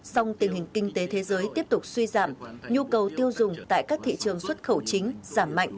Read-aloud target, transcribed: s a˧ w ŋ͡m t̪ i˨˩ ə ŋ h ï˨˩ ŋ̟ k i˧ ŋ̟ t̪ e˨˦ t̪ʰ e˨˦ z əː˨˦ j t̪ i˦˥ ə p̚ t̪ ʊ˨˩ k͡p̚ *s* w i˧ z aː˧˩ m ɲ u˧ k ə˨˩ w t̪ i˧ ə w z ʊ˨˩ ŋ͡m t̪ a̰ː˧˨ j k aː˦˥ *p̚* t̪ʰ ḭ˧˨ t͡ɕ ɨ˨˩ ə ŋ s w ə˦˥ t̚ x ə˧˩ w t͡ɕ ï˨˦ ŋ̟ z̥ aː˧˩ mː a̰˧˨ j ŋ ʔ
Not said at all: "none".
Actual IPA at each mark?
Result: s, k̚

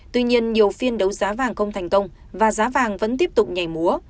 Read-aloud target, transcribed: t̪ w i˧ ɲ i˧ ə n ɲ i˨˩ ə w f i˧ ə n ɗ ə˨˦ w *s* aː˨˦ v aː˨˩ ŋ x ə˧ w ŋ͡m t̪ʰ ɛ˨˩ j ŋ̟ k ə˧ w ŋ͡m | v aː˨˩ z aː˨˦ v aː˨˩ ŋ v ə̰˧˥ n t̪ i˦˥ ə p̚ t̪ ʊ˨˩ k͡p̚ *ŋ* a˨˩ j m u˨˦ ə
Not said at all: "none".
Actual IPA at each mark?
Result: z, ɲ

